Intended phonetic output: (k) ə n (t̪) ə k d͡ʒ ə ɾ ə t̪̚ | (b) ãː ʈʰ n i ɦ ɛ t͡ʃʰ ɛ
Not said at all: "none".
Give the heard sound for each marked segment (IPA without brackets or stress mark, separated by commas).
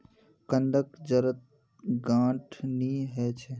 k, d̪, ɡ